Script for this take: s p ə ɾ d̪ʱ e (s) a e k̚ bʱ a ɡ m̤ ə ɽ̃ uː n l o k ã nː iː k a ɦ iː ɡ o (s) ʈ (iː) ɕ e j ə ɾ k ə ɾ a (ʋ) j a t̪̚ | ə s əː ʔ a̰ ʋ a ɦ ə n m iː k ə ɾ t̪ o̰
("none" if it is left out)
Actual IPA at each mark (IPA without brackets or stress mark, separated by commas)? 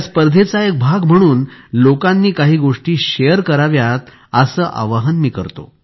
t͡s, ʂ, iː, ʋ